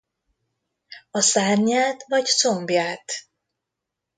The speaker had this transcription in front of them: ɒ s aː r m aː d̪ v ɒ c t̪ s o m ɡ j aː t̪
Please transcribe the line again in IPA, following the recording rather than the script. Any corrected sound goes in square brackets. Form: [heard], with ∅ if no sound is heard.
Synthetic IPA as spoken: ɒ s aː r [ɲ] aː [t̪] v ɒ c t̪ s o m [b] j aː t̪